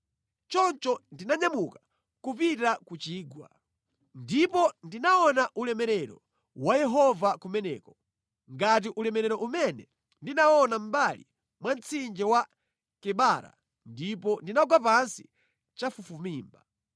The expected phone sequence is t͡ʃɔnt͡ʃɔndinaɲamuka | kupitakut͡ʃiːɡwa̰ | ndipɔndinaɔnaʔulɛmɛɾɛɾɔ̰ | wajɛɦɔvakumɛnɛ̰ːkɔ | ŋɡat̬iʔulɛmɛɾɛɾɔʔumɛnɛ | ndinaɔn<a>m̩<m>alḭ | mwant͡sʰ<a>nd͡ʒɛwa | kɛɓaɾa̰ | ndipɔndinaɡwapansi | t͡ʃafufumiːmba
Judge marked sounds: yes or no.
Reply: yes, no, no

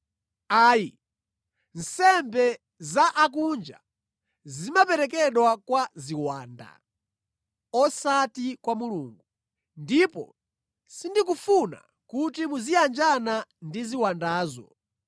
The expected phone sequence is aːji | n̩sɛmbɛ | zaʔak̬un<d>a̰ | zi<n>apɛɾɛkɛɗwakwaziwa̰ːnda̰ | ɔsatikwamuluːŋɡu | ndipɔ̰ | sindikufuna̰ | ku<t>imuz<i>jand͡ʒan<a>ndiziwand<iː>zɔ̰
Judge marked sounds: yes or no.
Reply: no, no, yes, yes, yes, no

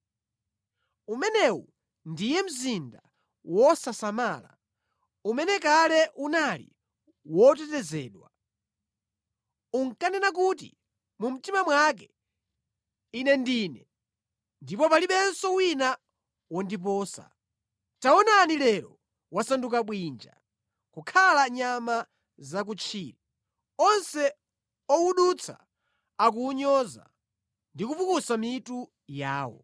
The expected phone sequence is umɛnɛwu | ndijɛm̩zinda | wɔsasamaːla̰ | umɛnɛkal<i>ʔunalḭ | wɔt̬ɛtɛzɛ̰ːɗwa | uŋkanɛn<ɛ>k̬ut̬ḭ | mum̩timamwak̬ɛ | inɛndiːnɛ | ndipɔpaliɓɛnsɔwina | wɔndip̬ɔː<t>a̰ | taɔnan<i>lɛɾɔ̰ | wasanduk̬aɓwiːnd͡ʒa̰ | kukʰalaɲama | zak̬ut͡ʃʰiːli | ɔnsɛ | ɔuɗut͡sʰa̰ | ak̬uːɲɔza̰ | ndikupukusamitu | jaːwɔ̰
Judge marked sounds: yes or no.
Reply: no, no, no, yes

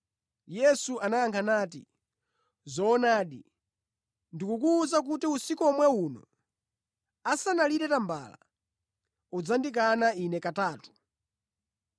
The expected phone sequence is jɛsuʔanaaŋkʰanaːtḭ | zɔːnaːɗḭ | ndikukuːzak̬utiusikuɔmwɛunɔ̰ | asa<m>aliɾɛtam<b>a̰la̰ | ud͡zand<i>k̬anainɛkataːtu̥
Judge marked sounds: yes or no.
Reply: no, yes, yes

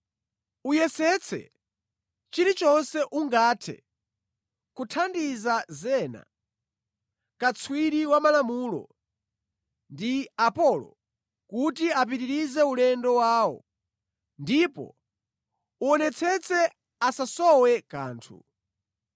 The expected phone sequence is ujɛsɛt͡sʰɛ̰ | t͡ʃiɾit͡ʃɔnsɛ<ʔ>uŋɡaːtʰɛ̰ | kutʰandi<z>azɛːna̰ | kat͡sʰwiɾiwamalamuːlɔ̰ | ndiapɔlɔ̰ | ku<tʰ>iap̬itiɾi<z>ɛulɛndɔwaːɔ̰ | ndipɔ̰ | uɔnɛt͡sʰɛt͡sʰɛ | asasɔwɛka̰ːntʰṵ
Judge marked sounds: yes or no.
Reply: yes, yes, no, yes

